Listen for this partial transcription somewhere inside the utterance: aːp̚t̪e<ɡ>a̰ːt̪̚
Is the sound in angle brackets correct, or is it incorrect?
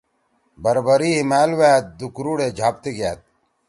correct